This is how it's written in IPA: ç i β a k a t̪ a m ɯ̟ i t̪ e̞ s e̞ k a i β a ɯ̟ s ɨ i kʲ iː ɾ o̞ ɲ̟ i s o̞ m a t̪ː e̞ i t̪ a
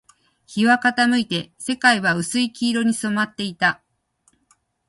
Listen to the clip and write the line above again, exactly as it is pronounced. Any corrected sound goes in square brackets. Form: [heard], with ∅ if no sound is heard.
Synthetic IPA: ç i β a k a t̪ a m ɯ̟ i t̪ e̞ s e̞ k a i β a ɯ̟ s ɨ i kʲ iː ɾ o̞ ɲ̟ i s o̞ m a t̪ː e̞ i t̪ a